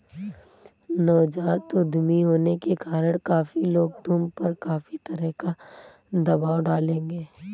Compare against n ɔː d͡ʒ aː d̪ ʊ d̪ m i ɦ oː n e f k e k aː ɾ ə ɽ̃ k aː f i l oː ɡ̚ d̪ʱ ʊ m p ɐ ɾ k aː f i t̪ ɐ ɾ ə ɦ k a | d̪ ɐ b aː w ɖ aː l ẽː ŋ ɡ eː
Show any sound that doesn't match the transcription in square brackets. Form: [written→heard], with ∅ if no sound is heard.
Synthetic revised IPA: n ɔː d͡ʒ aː [d̪→t̪] ʊ d̪ m i ɦ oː n e [f→∅] k e k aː ɾ ə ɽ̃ k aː f i l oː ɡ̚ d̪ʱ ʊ m p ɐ ɾ k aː f i t̪ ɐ ɾ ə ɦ k a | d̪ ɐ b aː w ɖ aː l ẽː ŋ ɡ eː